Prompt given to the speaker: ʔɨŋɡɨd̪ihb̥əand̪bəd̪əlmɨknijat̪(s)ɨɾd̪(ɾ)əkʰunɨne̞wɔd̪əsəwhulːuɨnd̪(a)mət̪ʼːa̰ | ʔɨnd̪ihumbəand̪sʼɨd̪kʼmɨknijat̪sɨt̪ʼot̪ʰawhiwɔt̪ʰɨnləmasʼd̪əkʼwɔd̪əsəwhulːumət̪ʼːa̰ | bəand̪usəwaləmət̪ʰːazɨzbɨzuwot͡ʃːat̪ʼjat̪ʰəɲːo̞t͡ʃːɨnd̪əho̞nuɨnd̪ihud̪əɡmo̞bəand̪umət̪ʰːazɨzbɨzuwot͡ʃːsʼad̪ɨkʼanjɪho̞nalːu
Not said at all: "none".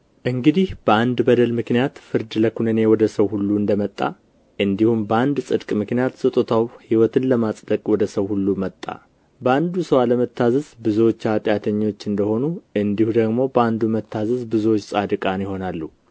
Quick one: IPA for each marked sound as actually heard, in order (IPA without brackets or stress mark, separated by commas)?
f, l, ə